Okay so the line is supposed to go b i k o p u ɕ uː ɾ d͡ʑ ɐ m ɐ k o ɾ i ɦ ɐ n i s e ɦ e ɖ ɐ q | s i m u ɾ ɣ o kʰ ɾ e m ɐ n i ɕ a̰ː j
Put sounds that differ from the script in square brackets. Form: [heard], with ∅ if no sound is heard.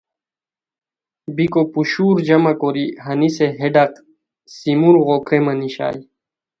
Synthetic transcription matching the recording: b i k o p u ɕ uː ɾ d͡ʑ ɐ m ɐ k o ɾ i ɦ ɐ n i s e ɦ e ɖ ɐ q | s i m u ɾ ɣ o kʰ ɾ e m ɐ n i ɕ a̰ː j